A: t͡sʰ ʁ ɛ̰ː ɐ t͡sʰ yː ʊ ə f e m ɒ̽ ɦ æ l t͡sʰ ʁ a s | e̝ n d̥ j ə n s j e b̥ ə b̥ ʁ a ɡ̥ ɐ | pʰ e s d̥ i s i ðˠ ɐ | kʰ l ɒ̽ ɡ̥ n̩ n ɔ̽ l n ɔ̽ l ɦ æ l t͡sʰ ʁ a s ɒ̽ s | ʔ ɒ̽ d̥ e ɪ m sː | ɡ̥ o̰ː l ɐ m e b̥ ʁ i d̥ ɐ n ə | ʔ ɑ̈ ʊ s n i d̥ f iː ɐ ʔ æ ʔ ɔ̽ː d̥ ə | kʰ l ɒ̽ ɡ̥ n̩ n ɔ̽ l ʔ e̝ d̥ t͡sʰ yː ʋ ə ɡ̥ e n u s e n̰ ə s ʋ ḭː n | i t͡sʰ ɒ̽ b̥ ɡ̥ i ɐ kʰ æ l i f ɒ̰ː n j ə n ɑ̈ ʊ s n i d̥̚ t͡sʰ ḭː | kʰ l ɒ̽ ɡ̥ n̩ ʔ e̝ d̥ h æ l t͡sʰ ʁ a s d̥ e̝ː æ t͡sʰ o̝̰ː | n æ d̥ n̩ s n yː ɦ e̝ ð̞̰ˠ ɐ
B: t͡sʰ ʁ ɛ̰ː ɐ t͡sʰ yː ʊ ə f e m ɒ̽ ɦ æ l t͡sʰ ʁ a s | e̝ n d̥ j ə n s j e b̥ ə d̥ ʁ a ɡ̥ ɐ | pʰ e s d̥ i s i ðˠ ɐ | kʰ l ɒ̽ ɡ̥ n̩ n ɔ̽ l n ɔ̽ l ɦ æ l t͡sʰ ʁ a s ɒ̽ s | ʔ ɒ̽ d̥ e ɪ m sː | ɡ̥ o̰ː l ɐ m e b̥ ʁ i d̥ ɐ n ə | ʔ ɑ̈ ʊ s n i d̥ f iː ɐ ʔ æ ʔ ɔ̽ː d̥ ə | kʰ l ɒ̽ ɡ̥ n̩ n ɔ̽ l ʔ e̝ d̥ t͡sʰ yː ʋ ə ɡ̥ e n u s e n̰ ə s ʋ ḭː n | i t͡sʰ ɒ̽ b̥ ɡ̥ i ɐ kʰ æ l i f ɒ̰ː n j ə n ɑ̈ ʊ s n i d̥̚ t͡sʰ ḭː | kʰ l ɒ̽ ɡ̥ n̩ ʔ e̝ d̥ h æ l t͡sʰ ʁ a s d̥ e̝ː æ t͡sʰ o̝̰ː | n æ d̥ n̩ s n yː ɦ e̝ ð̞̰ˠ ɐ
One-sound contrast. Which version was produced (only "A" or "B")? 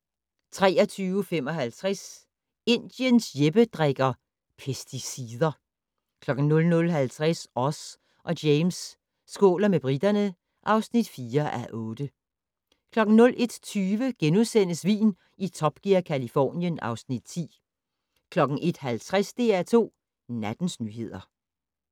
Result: B